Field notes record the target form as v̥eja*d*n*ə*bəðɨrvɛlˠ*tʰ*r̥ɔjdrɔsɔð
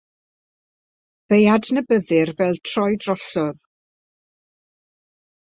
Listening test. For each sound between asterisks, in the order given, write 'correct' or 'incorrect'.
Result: correct, correct, correct

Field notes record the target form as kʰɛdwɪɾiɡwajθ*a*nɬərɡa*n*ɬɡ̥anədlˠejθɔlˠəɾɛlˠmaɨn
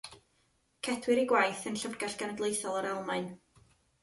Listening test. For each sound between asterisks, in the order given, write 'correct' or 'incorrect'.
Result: incorrect: ə, incorrect: none

